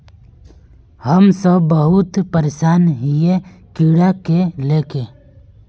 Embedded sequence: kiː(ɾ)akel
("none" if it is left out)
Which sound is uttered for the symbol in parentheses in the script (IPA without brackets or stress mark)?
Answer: ɽ